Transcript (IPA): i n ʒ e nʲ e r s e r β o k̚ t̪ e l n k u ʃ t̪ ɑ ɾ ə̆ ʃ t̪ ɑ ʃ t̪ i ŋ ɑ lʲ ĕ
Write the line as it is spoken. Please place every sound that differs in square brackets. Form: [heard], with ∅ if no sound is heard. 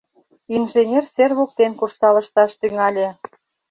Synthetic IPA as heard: i n ʒ e nʲ e r s e r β o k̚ t̪ e [∅] n k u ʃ t̪ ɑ [l] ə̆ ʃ t̪ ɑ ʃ t̪ [y] ŋ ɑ lʲ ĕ